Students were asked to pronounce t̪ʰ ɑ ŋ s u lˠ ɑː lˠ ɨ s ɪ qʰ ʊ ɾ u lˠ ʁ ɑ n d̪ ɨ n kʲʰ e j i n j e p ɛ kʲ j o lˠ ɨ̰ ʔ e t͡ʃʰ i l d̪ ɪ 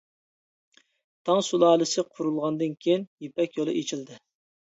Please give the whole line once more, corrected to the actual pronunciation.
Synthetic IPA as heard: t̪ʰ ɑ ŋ s u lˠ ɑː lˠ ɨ s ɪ qʰ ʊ ɾ u lˠ ʁ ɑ n d̪ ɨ n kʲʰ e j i n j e p ɛ kʲ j o lˠ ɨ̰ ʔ e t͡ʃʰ i l d̪ ɪ